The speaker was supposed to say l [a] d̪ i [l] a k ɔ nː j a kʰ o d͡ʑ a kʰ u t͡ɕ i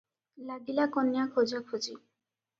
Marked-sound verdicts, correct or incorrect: correct, correct

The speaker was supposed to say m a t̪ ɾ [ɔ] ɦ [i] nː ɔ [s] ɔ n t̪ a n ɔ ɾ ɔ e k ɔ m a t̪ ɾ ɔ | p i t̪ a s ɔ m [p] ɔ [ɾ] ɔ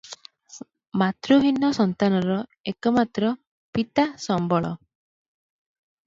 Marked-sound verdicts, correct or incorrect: incorrect, correct, correct, incorrect, incorrect

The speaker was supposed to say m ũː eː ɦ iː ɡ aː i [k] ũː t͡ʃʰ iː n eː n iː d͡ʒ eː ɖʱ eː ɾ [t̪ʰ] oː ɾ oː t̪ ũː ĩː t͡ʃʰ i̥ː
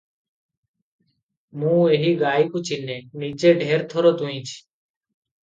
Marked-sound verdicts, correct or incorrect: correct, correct

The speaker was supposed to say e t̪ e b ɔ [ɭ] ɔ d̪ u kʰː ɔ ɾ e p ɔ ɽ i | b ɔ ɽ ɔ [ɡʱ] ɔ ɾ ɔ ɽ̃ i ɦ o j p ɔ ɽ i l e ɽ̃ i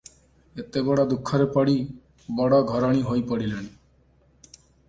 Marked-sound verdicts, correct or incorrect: incorrect, correct

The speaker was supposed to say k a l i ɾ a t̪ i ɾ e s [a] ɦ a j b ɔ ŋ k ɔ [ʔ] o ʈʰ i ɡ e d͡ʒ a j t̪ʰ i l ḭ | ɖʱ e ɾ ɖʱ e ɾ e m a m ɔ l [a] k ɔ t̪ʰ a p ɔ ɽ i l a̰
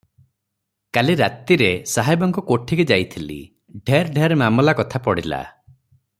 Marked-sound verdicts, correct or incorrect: correct, incorrect, correct

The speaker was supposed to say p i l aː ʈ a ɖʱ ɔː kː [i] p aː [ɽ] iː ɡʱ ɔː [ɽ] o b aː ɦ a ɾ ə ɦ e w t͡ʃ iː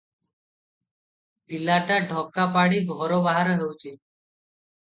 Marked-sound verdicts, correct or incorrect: incorrect, correct, incorrect

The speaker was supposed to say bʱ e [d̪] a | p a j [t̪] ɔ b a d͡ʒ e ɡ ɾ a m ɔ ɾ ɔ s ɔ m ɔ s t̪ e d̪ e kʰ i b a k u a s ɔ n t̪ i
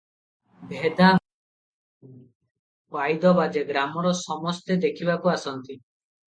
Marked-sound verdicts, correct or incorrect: correct, incorrect

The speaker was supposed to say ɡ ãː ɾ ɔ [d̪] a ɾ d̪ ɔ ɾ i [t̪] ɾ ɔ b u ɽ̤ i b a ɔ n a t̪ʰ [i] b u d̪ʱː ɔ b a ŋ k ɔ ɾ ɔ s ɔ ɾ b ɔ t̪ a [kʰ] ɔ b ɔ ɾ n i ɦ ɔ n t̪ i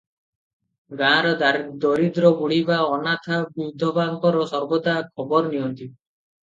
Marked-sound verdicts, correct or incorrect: correct, incorrect, incorrect, correct

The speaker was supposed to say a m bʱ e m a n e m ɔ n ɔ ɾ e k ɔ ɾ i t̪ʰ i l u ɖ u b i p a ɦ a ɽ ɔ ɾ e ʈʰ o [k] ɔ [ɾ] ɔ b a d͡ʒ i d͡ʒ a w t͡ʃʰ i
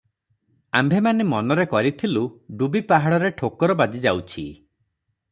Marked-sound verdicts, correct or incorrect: correct, correct

